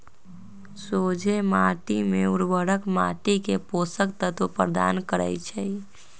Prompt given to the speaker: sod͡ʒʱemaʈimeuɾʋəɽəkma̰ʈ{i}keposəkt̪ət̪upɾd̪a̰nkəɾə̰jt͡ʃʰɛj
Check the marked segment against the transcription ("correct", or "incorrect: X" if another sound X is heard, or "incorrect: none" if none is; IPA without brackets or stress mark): correct